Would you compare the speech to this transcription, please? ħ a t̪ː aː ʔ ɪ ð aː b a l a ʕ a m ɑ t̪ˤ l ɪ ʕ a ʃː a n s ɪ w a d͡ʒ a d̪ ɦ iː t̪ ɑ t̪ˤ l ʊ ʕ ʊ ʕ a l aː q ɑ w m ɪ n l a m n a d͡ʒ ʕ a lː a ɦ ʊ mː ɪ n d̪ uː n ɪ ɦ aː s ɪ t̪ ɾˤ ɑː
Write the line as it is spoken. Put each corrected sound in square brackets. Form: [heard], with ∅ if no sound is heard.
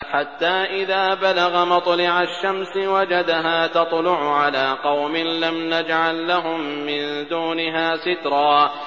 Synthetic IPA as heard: ħ a t̪ː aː ʔ ɪ ð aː b a l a [ɣ] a m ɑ t̪ˤ l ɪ ʕ a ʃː a [m] s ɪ w a d͡ʒ a d̪ ɦ [aː] t̪ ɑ t̪ˤ l ʊ ʕ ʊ ʕ a l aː q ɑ w m ɪ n l a m n a d͡ʒ ʕ a lː a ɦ ʊ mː ɪ n d̪ uː n ɪ ɦ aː s ɪ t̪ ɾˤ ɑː

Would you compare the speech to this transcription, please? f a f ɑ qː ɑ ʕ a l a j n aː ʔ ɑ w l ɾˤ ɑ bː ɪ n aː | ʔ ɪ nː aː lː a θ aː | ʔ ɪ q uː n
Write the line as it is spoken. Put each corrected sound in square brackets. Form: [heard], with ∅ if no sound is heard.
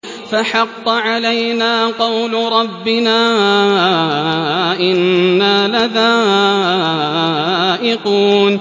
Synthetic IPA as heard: f a [ħ] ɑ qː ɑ ʕ a l a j n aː [q] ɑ w l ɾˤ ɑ bː ɪ n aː | ʔ ɪ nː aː [l] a [ð] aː | ʔ ɪ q uː n

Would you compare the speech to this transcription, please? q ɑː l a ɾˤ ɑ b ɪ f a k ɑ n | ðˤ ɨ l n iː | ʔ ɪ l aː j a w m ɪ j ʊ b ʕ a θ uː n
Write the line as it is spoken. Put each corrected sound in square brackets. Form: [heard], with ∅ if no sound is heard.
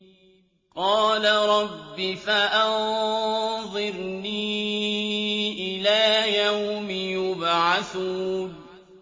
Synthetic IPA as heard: q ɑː l a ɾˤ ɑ [bː] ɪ f a [ʔ] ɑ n | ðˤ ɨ [ɾ] n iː | ʔ ɪ l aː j a w m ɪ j ʊ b ʕ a θ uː n

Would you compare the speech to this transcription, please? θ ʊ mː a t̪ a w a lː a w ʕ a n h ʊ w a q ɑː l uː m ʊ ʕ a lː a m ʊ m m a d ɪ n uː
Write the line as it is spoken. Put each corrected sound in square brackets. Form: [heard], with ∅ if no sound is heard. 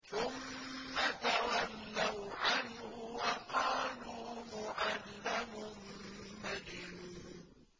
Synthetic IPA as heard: θ ʊ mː a t̪ a w a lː a w ʕ a n h ʊ w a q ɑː l uː m ʊ ʕ a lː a m ʊ m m a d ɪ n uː

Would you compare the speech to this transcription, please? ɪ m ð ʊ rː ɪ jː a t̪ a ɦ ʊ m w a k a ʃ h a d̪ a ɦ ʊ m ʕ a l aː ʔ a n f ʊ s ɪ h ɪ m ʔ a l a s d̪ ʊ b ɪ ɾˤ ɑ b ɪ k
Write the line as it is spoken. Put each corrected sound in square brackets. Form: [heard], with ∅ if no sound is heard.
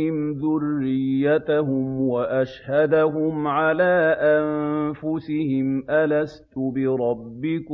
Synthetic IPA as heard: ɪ m ð ʊ rː ɪ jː a t̪ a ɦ ʊ m w a [ʔ] a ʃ h a d̪ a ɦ ʊ m ʕ a l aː ʔ a n f ʊ s ɪ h ɪ m ʔ a l a s [t̪] ʊ b ɪ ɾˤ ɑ [bː] ɪ k

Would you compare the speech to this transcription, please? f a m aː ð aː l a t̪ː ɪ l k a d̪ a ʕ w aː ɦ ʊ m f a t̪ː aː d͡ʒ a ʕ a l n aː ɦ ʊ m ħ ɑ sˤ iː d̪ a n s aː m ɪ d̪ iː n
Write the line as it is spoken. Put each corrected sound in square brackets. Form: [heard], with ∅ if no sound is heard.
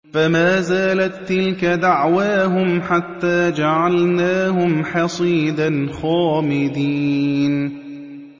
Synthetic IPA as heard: f a m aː [z] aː l a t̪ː ɪ l k a d̪ a ʕ w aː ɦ ʊ m [ħ] a t̪ː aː d͡ʒ a ʕ a l n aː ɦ ʊ m ħ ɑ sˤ iː d̪ a n [x] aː m ɪ d̪ iː n

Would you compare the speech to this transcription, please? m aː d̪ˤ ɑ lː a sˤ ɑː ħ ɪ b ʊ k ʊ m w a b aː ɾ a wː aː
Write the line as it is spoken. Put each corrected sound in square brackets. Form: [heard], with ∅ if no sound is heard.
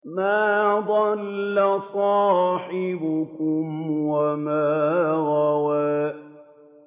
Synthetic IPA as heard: m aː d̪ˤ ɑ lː a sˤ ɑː ħ ɪ b ʊ k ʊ m w a [m] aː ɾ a [w] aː

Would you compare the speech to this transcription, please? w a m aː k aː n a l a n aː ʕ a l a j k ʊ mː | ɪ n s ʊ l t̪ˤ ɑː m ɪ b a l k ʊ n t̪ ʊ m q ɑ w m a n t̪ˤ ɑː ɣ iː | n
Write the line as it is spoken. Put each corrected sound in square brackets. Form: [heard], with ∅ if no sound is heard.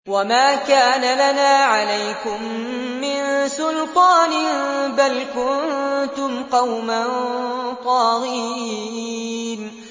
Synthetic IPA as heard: w a m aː k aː n a l a n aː ʕ a l a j k ʊ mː | ɪ n s ʊ l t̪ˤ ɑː [n] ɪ b a l k ʊ n t̪ ʊ m q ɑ w m a n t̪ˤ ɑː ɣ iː | n

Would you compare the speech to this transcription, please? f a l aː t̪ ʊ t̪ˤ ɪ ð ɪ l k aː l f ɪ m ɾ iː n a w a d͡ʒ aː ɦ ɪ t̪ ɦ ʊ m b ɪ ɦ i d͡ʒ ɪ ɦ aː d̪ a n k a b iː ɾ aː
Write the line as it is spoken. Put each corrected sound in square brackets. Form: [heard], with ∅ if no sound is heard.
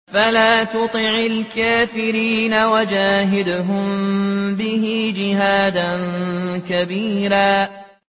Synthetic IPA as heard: f a l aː t̪ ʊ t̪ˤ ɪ [ʕ] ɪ l k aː [∅] f ɪ [∅] ɾ iː n a w a d͡ʒ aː ɦ ɪ [d̪] ɦ ʊ m b ɪ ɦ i d͡ʒ ɪ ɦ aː d̪ a n k a b iː ɾ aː

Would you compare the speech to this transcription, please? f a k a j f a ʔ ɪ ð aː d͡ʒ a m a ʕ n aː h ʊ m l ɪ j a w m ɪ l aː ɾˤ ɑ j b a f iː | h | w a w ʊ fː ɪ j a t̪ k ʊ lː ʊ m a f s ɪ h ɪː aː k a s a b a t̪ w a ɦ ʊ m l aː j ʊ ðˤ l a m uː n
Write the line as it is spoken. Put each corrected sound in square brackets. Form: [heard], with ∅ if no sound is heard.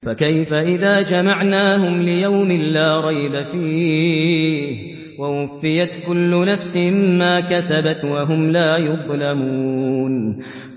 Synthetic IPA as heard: f a k a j f a ʔ ɪ ð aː d͡ʒ a m a ʕ n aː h ʊ m l ɪ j a w m ɪ l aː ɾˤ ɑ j b a f iː | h | w a w ʊ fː ɪ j a t̪ k ʊ lː ʊ [n] a f s ɪ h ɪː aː k a s a b a t̪ w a ɦ ʊ m l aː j ʊ ðˤ l a m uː n

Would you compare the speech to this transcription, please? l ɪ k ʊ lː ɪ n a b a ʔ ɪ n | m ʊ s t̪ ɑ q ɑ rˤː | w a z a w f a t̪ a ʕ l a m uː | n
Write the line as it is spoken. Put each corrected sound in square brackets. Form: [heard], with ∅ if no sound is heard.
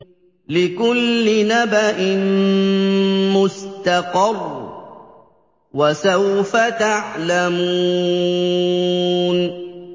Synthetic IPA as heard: l ɪ k ʊ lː ɪ n a b a ʔ ɪ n | m ʊ s t̪ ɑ q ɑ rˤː | w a [s] a w f a t̪ a ʕ l a m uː | n

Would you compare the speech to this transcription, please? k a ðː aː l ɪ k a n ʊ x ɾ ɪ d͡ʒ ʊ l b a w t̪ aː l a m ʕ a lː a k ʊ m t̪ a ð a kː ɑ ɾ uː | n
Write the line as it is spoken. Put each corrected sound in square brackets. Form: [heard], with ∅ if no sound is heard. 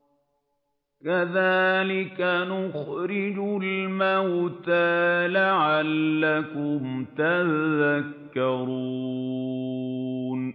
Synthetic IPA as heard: k a [ð] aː l ɪ k a n ʊ x ɾ ɪ d͡ʒ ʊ l [m] a w t̪ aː l a [∅] ʕ a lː a k ʊ m t̪ a ð a kː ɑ ɾ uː | n

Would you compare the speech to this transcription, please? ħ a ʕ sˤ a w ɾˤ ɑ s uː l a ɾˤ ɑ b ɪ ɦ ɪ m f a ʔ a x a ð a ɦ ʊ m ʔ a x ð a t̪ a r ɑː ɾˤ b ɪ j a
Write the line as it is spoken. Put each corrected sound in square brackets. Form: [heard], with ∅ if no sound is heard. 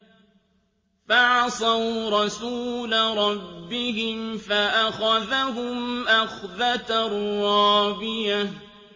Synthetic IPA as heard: [f] a ʕ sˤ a w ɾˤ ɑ s uː l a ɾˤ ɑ [bː] ɪ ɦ ɪ m f a ʔ a x a ð a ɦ ʊ m ʔ a x ð a t̪ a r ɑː [∅] b ɪ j a

